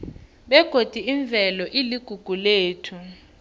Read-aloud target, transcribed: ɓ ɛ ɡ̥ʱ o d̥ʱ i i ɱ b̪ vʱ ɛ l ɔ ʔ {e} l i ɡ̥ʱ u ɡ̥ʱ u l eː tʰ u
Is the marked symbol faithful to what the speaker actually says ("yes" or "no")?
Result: no